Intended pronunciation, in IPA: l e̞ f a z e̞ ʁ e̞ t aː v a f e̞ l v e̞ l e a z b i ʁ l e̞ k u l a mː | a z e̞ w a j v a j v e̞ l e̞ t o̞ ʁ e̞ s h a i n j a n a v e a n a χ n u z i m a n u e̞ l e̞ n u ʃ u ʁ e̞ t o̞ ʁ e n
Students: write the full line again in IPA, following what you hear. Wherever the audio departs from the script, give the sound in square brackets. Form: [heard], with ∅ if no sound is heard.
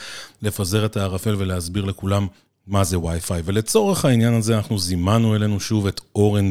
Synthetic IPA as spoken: l e̞ f a z e̞ ʁ e̞ t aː [ʁ] a f e̞ l v e̞ l e a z b i ʁ l e̞ k u l a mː | a z e̞ w a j [f] a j v e̞ l e̞ [t͡s] o̞ ʁ e̞ [χ] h a i n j a n a [z] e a n a χ n u z i m a n u e̞ l e̞ n u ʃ u [v] e̞ t o̞ ʁ e n